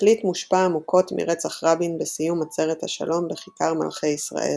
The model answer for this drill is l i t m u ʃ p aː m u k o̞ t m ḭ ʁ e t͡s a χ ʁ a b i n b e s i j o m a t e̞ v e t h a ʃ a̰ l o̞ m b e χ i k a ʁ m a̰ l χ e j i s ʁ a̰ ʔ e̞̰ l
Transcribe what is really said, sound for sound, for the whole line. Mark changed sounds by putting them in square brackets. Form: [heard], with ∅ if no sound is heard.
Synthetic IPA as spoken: l i t m u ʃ p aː m u k o̞ t m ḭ ʁ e t͡s a χ ʁ a b i n b e s i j [u] m a [t͡s] e̞ [ʁ] e t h a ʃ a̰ l o̞ m b e χ i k a ʁ m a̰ l χ e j i s ʁ a̰ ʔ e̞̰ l